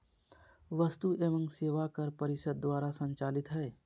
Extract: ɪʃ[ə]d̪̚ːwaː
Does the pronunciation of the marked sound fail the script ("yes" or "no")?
no